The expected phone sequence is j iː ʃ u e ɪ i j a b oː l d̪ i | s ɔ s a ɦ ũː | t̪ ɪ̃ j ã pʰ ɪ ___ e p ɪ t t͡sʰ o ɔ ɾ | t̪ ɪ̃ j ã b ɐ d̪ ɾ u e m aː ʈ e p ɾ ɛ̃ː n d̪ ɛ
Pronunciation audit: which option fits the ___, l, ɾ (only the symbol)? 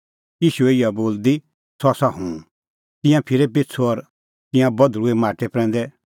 ɾ